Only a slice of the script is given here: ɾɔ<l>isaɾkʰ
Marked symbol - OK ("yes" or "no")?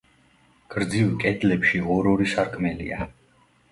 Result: no